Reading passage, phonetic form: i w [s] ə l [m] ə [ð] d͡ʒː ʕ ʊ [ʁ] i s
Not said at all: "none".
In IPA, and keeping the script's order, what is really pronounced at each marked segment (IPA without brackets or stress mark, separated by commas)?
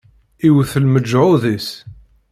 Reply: θ, m, none, ð